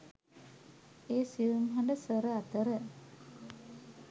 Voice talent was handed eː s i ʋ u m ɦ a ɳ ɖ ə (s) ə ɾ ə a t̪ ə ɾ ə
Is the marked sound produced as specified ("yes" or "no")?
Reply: yes